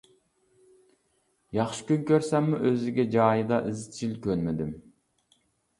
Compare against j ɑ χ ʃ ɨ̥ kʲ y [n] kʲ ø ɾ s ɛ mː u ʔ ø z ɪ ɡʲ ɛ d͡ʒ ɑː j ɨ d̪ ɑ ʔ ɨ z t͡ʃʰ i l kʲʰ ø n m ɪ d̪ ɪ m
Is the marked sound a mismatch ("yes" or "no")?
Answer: no